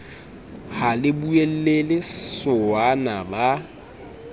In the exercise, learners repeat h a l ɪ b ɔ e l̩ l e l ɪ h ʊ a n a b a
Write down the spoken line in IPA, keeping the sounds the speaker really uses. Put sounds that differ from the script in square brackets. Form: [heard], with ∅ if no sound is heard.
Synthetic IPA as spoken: h a l ɪ b [u] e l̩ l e l ɪ [s] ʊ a n a b a